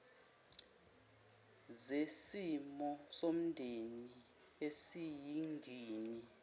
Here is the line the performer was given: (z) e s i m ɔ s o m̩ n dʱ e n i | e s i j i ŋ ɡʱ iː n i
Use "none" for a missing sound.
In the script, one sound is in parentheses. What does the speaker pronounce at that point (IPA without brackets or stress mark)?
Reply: z